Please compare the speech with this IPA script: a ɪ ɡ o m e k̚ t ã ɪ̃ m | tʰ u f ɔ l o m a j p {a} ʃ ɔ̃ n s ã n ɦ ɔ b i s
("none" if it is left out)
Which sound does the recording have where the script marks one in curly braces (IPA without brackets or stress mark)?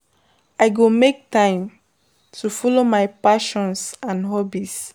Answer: a